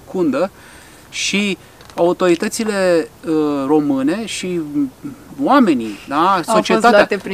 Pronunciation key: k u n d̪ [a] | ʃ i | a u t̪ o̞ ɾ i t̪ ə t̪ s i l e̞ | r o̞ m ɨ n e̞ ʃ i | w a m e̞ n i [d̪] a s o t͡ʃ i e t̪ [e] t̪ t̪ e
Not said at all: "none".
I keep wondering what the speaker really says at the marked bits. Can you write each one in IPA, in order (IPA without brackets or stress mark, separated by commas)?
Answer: ə, d̪, a